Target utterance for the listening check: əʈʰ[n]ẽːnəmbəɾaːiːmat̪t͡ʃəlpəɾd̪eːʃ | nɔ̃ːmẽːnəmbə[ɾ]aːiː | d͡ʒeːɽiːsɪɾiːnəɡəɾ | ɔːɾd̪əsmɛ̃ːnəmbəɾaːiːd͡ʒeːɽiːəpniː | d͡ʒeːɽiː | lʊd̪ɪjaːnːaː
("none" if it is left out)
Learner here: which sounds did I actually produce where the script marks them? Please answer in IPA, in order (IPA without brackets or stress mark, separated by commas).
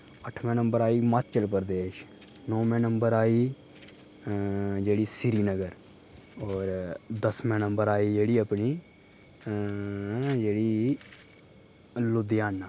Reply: m, ɾ